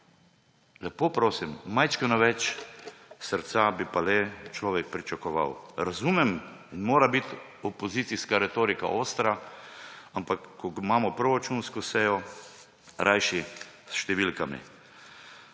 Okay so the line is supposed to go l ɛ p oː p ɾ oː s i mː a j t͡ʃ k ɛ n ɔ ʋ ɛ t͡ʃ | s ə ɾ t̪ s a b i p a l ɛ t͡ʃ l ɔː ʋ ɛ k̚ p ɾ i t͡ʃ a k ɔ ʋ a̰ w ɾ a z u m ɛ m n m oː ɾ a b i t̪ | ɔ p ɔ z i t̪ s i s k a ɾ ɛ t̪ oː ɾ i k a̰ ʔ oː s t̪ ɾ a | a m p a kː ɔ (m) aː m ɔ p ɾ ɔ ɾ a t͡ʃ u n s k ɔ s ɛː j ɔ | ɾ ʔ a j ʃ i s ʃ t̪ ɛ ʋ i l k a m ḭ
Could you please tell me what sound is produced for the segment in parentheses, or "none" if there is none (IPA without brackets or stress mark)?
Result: m